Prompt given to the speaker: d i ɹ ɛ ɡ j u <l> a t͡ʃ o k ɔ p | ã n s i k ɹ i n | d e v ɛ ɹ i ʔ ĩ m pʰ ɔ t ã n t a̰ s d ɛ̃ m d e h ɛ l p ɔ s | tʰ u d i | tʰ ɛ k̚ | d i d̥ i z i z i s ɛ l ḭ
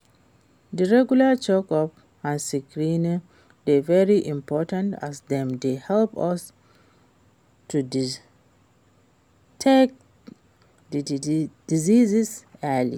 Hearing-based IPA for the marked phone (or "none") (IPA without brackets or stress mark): l